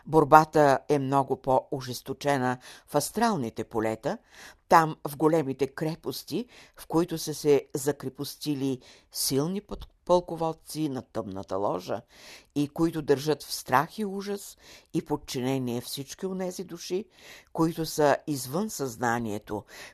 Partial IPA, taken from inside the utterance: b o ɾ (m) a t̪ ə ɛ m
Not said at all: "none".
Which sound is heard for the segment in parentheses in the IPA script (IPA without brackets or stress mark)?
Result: b